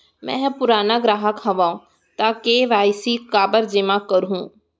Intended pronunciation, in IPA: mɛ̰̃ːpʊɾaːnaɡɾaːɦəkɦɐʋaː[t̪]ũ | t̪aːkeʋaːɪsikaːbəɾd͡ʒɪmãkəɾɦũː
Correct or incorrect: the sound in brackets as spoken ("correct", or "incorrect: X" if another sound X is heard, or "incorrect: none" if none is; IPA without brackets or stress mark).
incorrect: none